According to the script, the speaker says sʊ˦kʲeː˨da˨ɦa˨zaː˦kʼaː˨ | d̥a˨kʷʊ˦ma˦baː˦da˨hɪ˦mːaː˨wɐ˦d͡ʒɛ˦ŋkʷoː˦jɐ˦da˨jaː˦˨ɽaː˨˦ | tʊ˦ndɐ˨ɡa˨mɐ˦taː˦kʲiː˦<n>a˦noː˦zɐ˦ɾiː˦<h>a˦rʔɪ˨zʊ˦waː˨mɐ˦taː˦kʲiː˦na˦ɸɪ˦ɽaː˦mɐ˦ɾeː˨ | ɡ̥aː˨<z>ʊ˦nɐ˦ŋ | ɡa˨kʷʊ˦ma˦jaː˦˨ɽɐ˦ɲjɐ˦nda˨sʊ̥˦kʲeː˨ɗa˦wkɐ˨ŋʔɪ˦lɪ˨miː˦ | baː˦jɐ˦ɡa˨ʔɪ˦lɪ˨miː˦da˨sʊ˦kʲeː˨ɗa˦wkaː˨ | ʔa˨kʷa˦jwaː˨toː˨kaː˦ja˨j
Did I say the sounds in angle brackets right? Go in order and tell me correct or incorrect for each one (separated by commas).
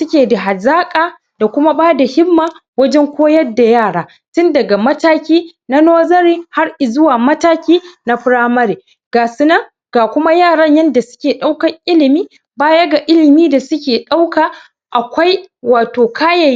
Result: correct, correct, incorrect